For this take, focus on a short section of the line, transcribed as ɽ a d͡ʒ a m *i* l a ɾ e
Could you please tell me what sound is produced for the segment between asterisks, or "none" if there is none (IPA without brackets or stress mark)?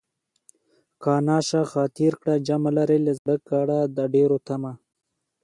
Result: a